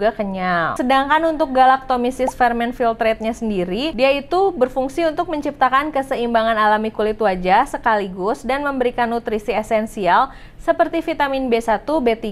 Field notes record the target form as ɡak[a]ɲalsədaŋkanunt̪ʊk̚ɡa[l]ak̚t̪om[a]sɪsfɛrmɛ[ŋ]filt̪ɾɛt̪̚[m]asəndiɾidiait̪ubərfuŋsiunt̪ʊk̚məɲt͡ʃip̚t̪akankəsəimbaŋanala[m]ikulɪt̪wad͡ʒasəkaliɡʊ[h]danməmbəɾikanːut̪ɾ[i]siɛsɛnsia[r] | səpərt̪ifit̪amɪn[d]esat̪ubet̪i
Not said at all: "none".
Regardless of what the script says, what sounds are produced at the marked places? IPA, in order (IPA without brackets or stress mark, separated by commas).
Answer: ə, l, i, n, ɲ, m, s, i, l, b